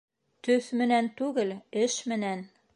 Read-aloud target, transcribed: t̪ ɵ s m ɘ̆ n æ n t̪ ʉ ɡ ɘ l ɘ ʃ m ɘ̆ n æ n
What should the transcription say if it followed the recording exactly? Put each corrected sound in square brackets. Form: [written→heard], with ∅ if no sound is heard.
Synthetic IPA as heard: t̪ ɵ [s→θ] m ɘ̆ n æ n t̪ ʉ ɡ ɘ l ɘ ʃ m ɘ̆ n æ n